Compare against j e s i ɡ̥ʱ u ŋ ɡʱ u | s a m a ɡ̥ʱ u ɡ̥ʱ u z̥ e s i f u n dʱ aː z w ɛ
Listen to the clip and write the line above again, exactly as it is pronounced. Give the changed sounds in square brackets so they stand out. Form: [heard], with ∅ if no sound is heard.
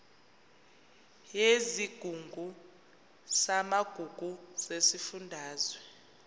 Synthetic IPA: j e [z] i ɡ̥ʱ u ŋ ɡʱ u | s a m a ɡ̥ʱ u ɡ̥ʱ u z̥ e s i f u n dʱ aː z w ɛ